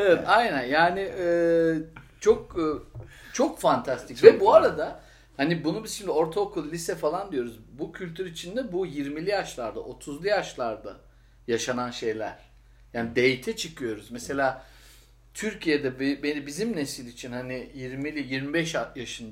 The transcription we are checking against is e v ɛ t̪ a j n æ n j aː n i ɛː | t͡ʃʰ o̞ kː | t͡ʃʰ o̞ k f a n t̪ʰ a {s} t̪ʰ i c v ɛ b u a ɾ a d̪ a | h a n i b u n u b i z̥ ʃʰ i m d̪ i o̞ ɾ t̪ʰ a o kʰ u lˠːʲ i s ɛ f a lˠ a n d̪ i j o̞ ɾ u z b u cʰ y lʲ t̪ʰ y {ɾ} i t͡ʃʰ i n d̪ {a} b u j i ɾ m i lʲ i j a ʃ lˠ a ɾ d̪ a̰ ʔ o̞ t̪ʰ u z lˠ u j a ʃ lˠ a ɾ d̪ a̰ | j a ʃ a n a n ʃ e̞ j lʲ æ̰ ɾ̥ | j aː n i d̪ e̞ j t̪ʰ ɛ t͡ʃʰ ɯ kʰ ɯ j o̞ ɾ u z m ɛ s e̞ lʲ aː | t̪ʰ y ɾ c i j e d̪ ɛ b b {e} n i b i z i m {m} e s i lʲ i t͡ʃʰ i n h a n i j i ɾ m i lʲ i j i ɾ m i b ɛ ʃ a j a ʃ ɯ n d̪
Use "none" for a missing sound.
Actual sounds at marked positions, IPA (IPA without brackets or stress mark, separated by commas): s, ɾ, ɛ, e, n